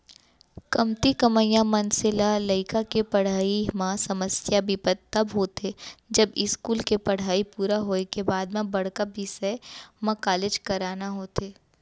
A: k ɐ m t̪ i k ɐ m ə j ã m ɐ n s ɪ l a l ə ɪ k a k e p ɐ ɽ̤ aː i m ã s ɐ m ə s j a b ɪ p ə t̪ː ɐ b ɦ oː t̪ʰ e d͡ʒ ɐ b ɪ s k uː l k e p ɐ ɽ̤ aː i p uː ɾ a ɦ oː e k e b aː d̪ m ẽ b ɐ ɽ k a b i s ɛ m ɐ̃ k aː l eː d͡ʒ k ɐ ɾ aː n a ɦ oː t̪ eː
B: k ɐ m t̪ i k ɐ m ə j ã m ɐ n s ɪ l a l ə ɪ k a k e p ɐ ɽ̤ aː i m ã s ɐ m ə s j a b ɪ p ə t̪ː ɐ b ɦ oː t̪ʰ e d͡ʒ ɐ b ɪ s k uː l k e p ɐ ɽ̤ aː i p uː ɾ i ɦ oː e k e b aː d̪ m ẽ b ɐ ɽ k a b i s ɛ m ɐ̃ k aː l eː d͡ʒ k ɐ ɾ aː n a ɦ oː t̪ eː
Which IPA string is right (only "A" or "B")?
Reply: A